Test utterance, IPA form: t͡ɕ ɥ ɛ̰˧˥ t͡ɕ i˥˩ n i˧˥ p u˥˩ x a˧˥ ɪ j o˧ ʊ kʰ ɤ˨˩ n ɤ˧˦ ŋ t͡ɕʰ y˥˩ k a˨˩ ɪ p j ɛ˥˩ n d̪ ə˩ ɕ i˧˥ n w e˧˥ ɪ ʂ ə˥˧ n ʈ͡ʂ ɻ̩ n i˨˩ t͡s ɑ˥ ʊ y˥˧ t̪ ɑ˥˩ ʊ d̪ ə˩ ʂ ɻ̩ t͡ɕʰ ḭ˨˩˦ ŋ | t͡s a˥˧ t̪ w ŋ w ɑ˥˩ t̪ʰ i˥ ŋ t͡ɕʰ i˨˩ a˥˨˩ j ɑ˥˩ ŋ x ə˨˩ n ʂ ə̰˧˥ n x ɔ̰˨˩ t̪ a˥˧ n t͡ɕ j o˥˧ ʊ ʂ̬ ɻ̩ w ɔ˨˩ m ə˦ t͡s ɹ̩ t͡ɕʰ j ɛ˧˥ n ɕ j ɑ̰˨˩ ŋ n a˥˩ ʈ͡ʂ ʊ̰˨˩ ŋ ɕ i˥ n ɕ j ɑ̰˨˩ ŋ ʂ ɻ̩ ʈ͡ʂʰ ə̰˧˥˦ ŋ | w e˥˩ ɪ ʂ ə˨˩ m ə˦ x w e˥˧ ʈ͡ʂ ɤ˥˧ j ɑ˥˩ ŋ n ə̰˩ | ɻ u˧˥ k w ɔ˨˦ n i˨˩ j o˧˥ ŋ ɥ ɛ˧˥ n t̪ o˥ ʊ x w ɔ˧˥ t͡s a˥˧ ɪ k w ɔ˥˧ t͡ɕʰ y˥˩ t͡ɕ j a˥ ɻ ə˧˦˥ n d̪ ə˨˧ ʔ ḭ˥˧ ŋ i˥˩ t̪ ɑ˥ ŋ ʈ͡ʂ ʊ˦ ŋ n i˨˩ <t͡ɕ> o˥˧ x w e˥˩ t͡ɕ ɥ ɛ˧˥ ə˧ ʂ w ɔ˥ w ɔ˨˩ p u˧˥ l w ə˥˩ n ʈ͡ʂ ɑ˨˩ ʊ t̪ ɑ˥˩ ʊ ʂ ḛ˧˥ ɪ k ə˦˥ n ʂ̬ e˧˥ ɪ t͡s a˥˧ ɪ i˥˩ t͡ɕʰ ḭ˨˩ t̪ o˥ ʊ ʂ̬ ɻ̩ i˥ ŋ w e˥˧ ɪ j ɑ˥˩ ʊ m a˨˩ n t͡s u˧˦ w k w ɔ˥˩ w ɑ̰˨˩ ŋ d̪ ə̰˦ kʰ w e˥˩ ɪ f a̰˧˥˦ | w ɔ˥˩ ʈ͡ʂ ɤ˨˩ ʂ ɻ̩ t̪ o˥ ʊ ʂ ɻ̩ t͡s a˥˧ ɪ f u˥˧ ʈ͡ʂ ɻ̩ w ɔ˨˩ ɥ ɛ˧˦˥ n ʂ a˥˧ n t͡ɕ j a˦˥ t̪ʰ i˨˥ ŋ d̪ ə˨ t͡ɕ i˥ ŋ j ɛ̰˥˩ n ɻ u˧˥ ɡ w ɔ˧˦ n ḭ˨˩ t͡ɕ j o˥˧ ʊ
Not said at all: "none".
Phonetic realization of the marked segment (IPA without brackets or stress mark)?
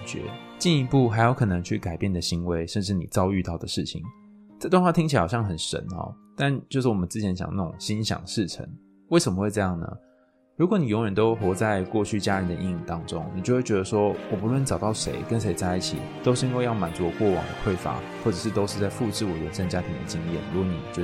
t͡ɕ